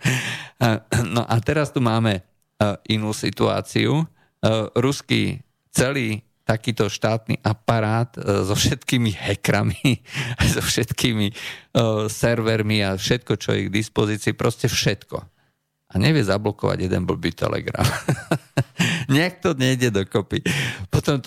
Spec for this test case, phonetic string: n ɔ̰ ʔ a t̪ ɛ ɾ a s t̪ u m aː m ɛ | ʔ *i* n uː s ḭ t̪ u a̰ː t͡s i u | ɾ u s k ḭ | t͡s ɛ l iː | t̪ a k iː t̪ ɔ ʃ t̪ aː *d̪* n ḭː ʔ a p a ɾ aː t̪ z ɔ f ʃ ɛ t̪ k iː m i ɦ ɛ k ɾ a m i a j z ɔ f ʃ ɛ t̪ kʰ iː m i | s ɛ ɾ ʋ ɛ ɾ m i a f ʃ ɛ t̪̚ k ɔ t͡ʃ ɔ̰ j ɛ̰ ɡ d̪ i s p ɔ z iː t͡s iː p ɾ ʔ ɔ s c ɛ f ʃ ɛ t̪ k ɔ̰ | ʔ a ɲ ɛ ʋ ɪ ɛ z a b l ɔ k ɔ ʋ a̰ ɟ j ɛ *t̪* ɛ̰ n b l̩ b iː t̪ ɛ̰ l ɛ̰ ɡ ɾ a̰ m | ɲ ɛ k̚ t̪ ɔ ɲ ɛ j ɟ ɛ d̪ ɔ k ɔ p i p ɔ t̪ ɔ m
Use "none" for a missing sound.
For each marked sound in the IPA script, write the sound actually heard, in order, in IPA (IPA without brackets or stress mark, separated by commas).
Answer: i, t̪, d̪